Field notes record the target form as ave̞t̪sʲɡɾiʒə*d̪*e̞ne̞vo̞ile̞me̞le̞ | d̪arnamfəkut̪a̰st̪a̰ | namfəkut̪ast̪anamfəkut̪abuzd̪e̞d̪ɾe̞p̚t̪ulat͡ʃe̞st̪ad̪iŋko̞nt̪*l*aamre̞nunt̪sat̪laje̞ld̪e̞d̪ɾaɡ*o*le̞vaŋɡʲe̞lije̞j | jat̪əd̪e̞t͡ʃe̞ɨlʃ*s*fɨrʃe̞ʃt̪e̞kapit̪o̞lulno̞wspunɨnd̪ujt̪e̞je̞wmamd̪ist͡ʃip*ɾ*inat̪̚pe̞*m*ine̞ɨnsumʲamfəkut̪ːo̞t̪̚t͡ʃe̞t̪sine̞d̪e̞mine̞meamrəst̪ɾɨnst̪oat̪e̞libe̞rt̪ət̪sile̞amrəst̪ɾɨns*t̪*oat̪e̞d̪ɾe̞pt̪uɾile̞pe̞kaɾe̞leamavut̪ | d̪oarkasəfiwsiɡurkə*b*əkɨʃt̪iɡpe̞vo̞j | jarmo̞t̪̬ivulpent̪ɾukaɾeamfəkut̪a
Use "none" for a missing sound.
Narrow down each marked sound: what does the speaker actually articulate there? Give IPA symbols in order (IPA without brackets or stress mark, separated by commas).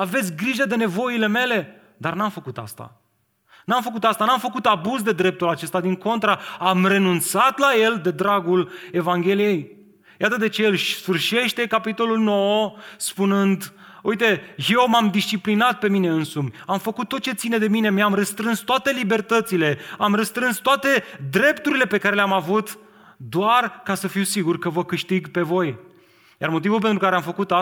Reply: d̪, ɾ, u, s, l, m, t̪, v